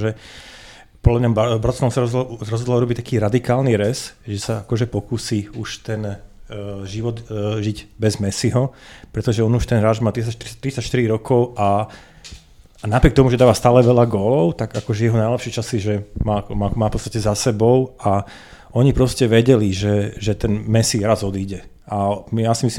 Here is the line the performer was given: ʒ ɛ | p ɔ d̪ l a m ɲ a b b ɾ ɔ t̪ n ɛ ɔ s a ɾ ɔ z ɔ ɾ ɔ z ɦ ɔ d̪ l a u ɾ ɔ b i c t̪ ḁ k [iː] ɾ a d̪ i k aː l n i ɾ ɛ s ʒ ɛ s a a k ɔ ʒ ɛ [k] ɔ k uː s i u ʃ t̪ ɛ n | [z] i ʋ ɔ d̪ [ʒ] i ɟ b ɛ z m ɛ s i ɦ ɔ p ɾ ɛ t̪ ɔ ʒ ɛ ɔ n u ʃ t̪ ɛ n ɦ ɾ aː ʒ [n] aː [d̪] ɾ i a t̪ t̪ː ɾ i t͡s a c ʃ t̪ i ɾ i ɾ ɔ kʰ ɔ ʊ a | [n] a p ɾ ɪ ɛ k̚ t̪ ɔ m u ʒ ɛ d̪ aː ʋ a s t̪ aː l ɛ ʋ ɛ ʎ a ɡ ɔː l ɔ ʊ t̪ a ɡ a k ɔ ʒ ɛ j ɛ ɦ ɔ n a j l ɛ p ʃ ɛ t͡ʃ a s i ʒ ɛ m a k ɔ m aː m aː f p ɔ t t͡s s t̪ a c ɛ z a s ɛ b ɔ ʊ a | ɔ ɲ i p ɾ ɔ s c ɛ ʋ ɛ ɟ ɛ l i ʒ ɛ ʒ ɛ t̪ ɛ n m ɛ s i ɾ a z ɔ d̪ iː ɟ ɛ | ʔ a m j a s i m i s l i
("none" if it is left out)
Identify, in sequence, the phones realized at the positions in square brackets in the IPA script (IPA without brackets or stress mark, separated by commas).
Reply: iː, p, ʒ, ʒ, m, t̪, n